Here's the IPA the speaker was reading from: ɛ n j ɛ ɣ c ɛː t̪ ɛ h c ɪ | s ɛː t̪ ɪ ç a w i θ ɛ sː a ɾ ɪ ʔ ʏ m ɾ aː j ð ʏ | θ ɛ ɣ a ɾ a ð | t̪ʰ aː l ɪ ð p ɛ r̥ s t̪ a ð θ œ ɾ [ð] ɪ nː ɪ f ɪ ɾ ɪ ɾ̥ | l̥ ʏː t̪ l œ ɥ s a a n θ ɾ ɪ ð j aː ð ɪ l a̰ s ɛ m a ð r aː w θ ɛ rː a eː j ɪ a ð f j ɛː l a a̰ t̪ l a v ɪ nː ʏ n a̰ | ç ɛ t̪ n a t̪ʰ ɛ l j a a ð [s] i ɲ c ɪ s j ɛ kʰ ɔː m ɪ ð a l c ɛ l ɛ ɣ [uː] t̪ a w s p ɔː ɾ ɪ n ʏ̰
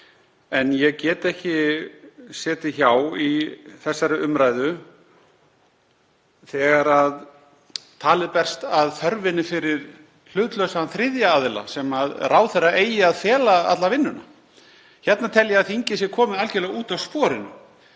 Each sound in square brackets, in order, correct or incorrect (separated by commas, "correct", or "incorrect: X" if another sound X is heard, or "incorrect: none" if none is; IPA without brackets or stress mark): incorrect: v, incorrect: θ, correct